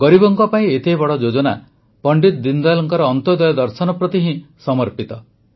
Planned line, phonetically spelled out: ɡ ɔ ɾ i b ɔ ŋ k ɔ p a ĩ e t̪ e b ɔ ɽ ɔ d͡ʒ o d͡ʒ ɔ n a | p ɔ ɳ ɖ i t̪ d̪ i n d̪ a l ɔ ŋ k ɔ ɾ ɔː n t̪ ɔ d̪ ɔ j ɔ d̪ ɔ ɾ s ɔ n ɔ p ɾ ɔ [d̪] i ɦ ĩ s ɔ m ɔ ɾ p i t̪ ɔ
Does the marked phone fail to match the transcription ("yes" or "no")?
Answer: yes